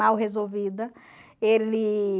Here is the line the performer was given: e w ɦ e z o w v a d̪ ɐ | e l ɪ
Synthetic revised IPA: a w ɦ e z o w v i d̪ ɐ | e l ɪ